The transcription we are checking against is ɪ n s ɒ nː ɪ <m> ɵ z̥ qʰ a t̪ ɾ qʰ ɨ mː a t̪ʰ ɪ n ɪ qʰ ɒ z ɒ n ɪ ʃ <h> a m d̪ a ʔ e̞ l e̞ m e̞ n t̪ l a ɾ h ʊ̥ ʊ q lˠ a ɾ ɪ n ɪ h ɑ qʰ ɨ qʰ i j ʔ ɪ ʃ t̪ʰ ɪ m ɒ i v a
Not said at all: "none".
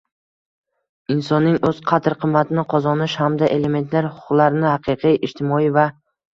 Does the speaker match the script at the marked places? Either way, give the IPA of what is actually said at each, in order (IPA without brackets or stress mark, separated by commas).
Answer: ŋ, h